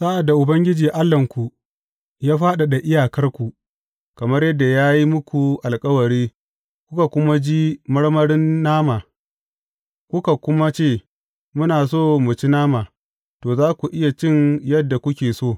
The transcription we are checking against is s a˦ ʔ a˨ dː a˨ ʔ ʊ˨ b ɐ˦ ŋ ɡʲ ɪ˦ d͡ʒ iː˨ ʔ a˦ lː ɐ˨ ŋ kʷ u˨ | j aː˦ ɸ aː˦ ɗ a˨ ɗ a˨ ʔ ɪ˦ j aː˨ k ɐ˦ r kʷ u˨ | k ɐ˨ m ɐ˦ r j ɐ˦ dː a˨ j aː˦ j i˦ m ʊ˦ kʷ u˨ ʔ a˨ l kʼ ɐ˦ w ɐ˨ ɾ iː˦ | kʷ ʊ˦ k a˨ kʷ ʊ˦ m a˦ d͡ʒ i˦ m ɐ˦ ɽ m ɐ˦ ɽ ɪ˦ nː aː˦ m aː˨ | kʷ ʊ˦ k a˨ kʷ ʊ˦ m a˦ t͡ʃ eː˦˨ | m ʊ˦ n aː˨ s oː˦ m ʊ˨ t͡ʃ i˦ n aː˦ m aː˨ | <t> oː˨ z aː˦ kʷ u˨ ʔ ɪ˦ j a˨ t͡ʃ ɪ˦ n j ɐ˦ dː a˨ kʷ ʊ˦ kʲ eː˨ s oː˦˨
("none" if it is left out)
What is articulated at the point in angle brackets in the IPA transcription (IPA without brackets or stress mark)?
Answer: t